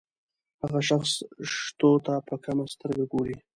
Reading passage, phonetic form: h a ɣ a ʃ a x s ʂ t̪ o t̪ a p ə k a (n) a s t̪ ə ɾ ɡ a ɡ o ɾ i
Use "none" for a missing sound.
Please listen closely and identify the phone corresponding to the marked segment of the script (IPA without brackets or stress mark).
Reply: m